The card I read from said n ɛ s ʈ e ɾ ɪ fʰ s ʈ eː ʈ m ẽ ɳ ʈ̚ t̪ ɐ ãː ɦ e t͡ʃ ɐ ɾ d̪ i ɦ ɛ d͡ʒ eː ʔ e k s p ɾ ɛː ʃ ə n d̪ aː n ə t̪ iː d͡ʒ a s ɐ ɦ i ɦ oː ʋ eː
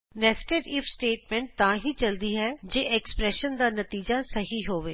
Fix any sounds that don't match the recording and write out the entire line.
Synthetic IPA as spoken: n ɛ s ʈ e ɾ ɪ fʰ s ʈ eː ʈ m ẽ ɳ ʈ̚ t̪ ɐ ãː ɦ i t͡ʃ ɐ l d̪ i ɦ ɛ d͡ʒ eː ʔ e k s p ɾ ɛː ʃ ə n d̪ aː n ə t̪ iː d͡ʒ a s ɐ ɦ i ɦ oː ʋ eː